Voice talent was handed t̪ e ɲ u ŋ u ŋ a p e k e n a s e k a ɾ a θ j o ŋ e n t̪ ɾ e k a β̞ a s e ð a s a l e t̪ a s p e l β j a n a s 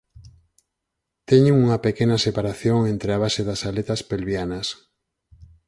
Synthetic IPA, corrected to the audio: t̪ e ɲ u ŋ u ŋ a p e k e n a s e p a ɾ a θ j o ŋ e n t̪ ɾ e a β̞ a s e ð a s a l e t̪ a s p e l β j a n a s